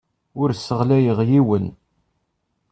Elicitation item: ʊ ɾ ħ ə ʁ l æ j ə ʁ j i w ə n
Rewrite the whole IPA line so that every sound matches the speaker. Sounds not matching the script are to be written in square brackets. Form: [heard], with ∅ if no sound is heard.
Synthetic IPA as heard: ʊ ɾ [s] ə ʁ l æ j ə ʁ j i w ə n